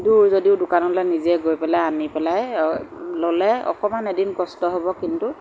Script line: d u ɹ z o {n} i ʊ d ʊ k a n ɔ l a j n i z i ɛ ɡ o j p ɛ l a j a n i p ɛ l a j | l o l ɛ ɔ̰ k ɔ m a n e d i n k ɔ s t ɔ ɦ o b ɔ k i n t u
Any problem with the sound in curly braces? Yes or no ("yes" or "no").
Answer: yes